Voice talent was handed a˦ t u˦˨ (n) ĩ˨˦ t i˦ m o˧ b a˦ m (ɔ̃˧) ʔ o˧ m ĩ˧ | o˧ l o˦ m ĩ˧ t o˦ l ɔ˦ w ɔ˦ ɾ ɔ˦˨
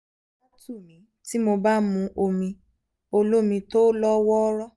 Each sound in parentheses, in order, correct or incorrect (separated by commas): incorrect, incorrect